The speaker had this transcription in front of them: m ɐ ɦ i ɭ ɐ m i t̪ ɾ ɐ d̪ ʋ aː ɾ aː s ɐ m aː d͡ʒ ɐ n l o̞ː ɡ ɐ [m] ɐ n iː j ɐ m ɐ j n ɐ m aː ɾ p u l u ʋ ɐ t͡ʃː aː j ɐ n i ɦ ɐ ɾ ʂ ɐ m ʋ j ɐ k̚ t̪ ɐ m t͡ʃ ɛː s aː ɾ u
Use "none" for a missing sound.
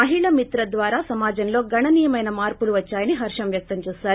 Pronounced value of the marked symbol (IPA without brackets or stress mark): ɳ